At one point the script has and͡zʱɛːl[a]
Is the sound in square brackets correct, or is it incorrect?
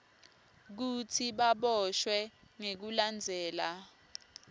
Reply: correct